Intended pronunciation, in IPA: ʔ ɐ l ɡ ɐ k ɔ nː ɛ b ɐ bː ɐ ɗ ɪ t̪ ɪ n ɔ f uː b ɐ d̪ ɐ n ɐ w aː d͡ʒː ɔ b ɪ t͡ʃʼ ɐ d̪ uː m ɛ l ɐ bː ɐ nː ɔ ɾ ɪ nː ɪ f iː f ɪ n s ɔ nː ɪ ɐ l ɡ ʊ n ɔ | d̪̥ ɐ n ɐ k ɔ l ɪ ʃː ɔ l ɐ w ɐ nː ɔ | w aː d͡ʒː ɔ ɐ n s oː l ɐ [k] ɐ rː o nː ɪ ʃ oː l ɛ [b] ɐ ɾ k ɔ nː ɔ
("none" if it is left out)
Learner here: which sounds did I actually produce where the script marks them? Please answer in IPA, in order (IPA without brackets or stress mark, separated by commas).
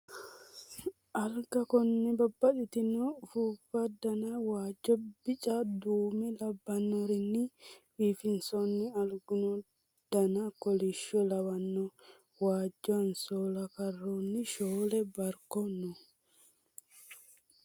k, b